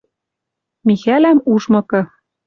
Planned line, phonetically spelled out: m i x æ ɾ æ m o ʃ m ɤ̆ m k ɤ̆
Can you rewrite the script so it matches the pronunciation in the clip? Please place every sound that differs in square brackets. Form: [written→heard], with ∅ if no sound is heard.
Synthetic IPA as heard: m i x æ [ɾ→l] æ m [o→u] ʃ m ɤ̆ [m→∅] k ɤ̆